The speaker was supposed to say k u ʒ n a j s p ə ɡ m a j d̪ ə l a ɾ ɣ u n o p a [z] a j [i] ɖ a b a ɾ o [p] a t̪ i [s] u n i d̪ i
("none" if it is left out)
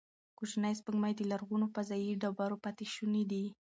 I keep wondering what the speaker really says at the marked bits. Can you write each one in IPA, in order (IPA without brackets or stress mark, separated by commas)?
z, i, p, ʃ